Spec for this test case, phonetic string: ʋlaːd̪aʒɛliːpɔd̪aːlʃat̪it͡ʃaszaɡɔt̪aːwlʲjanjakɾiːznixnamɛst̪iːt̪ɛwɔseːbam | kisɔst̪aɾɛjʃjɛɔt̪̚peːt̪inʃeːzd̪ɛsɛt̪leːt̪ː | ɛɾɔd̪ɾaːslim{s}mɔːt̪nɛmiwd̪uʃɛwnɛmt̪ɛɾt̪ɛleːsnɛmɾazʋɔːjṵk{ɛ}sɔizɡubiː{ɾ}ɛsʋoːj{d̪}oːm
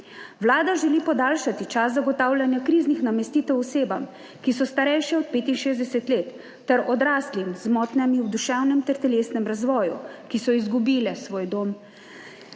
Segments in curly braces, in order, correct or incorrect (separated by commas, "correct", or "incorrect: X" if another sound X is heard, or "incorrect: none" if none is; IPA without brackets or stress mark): incorrect: z, incorrect: i, incorrect: l, correct